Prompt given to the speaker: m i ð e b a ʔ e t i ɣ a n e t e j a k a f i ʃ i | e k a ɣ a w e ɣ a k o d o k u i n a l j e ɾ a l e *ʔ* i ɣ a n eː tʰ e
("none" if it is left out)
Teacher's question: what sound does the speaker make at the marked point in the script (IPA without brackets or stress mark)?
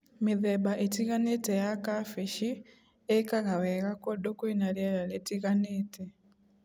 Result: t